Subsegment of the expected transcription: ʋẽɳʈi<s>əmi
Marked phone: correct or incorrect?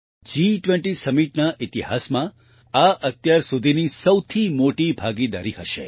correct